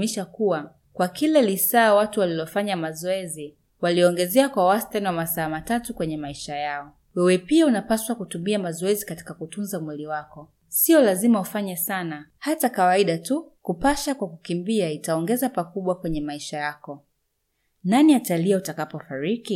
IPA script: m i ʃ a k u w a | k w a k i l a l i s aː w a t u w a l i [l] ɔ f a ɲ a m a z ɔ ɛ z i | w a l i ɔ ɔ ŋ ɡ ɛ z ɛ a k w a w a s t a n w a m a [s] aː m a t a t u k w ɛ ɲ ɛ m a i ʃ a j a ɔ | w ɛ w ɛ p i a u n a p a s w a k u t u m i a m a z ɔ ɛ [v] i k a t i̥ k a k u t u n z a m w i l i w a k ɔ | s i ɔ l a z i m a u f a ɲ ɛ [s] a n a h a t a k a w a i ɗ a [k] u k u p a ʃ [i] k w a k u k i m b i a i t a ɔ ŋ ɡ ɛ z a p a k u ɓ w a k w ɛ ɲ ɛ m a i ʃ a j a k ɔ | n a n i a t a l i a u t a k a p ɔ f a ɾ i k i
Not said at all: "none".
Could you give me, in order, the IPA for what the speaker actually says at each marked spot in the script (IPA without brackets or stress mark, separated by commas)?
l, s, z, s, t, a